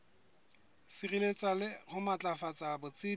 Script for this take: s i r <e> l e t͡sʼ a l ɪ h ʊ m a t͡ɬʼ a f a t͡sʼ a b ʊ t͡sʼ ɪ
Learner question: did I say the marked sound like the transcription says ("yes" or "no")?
no